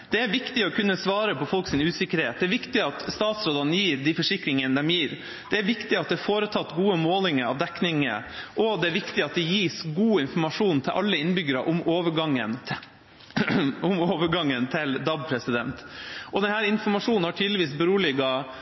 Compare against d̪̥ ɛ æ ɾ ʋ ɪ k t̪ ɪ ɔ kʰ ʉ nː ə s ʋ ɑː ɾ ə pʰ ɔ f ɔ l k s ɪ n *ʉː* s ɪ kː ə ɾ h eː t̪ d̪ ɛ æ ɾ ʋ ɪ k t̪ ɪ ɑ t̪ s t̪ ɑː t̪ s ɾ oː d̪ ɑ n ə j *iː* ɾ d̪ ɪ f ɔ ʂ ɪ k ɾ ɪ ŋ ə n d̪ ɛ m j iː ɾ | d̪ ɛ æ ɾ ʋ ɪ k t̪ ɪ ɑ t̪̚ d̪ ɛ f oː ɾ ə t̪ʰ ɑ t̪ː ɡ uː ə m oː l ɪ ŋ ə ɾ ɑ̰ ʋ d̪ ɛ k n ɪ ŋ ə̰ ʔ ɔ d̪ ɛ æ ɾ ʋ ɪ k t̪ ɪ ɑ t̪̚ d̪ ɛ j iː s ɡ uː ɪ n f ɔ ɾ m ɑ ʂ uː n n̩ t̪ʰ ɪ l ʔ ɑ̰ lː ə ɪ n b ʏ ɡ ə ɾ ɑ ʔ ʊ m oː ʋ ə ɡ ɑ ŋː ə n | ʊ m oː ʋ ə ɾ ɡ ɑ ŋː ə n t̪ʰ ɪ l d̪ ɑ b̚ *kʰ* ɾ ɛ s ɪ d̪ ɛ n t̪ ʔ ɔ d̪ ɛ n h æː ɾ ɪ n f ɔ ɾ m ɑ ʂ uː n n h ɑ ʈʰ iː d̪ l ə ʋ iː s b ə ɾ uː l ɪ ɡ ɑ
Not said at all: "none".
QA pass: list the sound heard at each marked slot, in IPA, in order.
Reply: ʉː, iː, pʰ

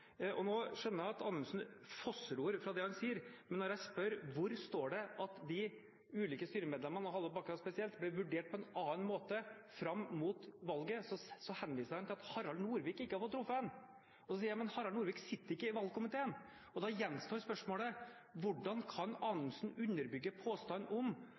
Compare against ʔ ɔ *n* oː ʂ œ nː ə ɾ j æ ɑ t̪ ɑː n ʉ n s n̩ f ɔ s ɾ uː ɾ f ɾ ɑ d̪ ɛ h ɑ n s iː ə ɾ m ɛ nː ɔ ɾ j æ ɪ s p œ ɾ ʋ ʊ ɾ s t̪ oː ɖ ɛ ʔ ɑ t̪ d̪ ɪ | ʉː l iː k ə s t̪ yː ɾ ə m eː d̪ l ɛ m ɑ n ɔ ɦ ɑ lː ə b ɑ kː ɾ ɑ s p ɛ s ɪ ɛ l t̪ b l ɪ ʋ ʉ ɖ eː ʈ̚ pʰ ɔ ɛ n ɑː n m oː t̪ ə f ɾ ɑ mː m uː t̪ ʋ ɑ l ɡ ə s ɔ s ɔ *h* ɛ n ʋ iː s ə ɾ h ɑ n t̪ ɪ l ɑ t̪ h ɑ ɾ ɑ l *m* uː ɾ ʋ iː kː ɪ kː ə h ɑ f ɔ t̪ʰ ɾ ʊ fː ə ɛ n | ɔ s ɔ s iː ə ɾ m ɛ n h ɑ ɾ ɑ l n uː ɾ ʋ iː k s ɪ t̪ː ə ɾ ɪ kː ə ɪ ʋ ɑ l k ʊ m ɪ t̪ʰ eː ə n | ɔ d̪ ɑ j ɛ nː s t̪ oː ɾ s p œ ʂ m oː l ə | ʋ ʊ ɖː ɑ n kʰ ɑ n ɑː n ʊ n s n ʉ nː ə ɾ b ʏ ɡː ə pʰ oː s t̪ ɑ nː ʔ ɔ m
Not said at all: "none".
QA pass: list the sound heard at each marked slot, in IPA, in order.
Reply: n, h, n

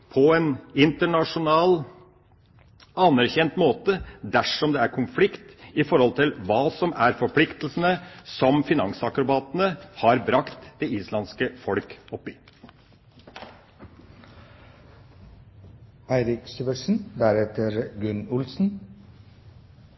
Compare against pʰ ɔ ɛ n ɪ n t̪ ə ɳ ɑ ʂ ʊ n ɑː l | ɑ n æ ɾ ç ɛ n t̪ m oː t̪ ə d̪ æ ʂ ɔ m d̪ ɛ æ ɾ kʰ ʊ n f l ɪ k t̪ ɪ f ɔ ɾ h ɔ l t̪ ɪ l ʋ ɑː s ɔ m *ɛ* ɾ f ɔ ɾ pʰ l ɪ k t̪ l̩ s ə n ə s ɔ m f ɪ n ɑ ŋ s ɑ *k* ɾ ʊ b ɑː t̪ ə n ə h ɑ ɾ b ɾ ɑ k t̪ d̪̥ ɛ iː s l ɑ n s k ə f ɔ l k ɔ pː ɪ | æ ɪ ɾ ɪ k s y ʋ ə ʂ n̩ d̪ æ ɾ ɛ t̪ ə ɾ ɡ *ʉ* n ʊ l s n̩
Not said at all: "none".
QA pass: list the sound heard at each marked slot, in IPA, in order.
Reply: æ, k, ʉ

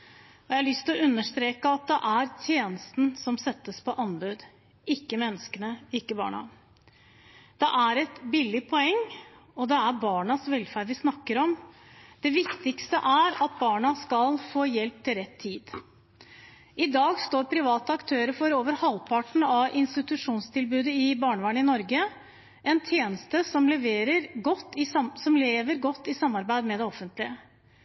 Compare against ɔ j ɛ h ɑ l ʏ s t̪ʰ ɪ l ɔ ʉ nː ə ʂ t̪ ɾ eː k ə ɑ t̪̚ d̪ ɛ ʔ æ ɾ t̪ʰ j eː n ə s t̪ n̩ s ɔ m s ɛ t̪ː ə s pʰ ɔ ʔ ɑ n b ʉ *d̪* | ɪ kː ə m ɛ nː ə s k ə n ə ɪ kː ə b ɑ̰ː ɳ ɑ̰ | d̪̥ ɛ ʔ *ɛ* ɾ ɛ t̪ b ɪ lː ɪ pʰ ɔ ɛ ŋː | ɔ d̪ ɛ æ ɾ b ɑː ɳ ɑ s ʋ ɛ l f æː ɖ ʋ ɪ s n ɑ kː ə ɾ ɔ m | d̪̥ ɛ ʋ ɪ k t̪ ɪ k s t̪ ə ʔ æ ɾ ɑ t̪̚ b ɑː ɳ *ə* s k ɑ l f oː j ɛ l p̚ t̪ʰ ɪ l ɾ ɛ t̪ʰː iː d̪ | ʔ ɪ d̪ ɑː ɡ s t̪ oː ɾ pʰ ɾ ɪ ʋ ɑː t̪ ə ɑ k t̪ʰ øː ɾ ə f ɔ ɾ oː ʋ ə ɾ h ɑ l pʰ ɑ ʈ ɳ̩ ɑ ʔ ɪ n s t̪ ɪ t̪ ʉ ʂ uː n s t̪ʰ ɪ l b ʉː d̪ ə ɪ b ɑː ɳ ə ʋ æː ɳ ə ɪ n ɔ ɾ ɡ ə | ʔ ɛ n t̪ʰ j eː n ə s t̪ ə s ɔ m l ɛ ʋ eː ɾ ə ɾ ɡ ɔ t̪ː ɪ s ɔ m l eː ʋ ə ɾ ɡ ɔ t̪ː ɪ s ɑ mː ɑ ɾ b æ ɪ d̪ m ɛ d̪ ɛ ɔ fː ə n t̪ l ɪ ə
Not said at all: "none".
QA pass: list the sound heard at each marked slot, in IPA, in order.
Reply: d̪, æ, ɑ

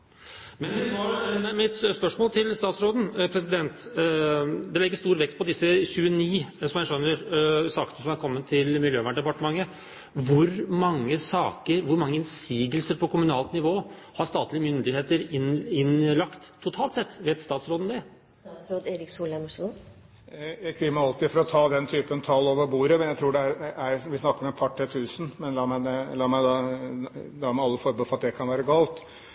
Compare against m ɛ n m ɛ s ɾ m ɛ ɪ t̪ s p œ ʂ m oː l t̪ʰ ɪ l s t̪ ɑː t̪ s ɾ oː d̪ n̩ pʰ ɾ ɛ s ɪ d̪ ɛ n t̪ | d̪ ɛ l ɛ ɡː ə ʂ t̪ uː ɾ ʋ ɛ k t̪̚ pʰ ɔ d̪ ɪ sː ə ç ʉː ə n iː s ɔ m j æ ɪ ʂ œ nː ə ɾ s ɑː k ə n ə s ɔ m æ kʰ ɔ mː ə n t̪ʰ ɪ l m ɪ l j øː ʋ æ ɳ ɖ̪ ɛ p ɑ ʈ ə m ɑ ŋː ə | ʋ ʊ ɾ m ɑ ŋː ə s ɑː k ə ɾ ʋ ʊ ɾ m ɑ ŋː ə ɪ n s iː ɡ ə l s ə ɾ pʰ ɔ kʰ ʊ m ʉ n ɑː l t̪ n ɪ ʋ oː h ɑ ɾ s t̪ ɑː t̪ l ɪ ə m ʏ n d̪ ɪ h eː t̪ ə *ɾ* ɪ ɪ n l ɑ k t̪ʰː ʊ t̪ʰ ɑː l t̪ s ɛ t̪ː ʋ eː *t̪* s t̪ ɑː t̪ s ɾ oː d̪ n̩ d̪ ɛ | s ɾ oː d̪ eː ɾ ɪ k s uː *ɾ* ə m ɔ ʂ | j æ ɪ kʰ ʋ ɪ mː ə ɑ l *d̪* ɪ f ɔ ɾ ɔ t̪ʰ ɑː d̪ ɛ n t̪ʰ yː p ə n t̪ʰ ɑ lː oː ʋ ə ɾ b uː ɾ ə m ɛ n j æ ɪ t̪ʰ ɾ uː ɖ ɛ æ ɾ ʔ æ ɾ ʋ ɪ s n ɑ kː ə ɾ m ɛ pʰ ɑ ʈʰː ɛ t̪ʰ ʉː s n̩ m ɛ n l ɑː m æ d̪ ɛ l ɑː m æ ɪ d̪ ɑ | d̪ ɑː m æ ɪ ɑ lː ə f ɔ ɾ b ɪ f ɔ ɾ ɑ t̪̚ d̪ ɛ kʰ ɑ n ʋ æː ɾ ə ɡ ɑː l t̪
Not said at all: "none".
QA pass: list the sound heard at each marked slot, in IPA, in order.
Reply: ɾ, t̪, l, t̪

